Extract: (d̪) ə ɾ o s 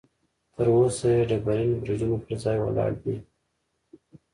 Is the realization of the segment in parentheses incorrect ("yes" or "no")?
yes